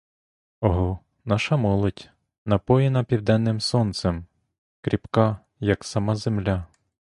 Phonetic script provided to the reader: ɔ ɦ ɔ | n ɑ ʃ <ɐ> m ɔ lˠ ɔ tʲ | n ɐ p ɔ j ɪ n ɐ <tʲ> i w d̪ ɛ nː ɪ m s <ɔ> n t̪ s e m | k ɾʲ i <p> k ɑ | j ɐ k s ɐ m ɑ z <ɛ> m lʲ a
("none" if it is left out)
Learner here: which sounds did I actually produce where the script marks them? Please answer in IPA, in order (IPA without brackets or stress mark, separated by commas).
ɐ, pʲ, ɔ, p, e